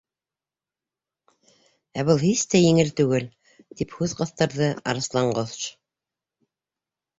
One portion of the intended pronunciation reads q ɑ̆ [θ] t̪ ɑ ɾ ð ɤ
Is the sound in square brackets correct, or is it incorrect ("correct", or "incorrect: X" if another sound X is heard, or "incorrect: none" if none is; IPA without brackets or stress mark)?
correct